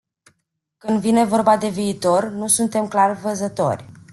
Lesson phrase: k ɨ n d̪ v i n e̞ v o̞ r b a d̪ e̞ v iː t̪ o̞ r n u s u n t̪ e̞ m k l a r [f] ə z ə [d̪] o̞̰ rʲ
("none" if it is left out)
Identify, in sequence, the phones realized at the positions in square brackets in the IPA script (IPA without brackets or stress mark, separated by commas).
v, t̪